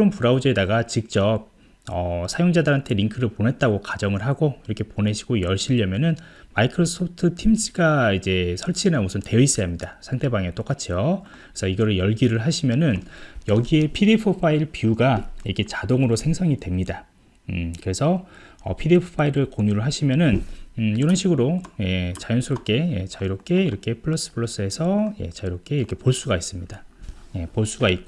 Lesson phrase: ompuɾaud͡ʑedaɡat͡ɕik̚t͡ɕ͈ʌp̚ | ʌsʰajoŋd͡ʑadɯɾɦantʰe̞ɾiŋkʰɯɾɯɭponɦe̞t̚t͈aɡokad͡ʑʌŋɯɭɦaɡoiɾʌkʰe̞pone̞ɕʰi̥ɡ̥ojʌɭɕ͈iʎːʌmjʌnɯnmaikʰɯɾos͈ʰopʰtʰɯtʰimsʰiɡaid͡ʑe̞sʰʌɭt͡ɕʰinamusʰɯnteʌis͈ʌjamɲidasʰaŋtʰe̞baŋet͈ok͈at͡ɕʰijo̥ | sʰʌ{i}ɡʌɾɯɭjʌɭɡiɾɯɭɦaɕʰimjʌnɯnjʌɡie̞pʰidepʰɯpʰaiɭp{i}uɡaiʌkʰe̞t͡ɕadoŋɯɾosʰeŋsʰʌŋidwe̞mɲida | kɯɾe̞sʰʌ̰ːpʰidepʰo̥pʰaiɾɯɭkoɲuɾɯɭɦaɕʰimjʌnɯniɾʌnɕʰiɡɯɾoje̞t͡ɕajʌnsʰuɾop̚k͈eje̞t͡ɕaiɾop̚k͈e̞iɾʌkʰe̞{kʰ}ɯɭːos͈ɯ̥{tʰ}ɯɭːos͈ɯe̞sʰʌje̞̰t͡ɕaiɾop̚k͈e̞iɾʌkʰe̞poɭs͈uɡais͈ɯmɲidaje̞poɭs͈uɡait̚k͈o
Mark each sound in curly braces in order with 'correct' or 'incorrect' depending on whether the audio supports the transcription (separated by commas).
correct, correct, incorrect, incorrect